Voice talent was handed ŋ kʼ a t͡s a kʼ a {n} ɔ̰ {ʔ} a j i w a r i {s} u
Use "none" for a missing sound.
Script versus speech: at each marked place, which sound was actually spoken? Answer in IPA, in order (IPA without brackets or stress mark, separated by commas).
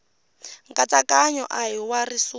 ɲ, ʔ, s